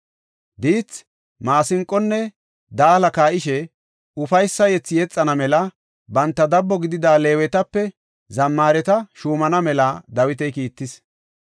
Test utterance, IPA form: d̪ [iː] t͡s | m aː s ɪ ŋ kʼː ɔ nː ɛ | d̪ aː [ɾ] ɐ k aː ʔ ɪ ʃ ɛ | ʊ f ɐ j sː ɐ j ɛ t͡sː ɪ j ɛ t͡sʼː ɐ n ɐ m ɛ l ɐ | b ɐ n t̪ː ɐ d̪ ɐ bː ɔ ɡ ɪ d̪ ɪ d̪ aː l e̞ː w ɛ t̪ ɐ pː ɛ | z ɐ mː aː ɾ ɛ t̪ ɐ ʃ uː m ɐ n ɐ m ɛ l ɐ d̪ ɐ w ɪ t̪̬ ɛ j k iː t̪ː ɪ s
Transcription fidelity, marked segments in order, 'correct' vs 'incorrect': correct, incorrect: l

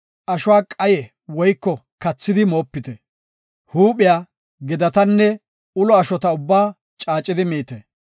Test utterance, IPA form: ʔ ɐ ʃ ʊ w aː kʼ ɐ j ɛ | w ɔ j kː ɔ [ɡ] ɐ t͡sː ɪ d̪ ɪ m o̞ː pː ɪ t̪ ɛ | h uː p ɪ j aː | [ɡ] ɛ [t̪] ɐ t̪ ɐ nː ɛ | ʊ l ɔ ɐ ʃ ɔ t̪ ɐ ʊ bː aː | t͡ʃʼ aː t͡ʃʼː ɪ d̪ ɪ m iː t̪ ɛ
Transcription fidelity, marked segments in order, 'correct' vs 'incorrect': incorrect: k, correct, incorrect: d̪

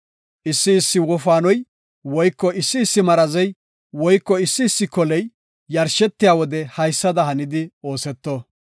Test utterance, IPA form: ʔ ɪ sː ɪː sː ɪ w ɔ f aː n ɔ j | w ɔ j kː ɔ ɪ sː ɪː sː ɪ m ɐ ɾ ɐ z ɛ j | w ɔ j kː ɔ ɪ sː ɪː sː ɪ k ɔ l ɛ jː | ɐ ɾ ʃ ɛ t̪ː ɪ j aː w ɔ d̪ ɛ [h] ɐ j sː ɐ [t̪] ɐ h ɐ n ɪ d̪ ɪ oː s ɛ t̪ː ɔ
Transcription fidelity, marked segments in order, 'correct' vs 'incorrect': correct, incorrect: d̪

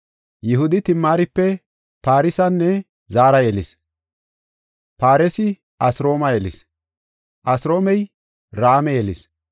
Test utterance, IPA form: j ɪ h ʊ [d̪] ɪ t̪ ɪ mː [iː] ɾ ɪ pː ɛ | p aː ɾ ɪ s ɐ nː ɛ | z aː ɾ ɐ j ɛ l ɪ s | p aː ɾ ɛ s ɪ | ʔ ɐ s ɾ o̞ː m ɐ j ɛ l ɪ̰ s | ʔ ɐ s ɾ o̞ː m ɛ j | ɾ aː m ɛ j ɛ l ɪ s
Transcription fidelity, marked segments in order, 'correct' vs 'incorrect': correct, incorrect: aː

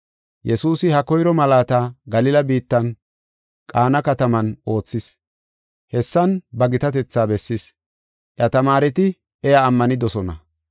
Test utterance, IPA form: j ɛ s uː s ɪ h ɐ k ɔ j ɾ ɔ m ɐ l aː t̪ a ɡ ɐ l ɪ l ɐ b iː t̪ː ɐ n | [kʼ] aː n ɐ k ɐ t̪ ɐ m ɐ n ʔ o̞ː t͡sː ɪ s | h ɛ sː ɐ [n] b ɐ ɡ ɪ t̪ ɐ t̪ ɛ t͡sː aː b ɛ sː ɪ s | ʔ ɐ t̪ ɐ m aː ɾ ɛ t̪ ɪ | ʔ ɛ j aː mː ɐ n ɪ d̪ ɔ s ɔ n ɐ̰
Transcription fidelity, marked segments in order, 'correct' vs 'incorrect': correct, correct

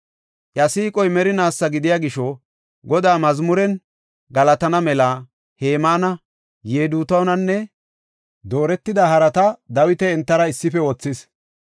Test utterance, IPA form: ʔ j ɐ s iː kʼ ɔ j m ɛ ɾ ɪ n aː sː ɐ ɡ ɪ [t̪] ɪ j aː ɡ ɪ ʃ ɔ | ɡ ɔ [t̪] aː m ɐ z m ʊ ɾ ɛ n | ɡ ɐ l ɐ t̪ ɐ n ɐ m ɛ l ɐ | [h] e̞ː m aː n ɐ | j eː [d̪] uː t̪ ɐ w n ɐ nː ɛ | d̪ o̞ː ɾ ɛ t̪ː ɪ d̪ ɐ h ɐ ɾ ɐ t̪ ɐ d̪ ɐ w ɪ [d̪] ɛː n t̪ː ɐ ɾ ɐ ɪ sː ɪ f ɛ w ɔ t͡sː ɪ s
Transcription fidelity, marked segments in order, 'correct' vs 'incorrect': incorrect: d̪, incorrect: d̪, correct, correct, incorrect: t̪

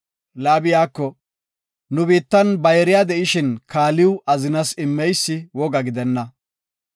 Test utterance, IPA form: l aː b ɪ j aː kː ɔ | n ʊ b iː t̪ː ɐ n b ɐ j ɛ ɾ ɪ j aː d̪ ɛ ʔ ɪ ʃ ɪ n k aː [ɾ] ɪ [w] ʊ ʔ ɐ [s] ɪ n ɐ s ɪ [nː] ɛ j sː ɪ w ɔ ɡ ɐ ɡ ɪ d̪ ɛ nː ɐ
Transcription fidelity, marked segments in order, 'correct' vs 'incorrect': incorrect: l, correct, incorrect: z, incorrect: mː

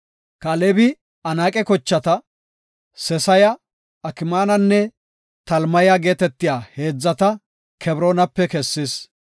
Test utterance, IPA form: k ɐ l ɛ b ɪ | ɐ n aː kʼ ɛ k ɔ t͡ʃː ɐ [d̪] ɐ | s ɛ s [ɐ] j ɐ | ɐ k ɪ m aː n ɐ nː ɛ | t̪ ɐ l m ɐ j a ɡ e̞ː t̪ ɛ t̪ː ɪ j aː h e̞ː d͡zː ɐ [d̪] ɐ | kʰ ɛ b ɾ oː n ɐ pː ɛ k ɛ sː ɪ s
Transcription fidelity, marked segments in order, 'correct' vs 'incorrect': incorrect: t̪, correct, incorrect: t̪

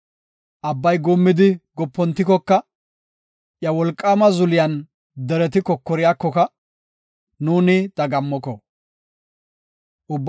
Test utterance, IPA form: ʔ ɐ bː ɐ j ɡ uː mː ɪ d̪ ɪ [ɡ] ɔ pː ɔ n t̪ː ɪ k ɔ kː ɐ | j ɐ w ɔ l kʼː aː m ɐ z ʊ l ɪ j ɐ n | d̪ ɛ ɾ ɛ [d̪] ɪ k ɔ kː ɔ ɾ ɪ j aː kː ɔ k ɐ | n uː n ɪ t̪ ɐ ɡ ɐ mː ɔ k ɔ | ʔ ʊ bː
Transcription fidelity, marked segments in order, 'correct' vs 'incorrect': correct, incorrect: t̪

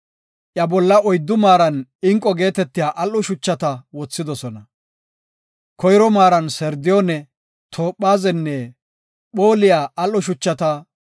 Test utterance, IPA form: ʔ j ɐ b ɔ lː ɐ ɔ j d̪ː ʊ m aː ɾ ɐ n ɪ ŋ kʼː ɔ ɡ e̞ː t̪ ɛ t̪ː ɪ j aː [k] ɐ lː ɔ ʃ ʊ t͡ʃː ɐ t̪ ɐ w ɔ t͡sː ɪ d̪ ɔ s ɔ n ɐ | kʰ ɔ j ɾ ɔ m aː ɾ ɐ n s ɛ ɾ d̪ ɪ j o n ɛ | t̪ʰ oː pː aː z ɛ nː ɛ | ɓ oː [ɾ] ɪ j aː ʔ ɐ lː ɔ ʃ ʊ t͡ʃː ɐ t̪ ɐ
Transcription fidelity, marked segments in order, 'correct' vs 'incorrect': incorrect: ʔ, incorrect: l

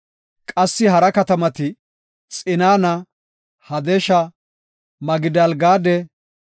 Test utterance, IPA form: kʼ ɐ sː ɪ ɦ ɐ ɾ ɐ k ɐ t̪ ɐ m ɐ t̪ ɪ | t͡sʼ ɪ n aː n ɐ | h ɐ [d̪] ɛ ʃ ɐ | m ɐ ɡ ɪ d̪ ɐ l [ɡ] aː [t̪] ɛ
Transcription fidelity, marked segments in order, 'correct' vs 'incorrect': correct, correct, incorrect: d̪

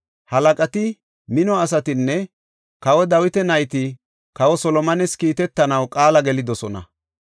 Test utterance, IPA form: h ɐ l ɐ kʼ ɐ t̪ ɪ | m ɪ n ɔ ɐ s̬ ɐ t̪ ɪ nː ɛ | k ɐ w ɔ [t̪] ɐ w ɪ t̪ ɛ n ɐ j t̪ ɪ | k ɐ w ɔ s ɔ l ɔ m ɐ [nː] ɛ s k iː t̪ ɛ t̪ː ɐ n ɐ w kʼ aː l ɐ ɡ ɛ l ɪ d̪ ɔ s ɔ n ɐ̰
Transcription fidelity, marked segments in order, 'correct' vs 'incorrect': incorrect: d̪, incorrect: n

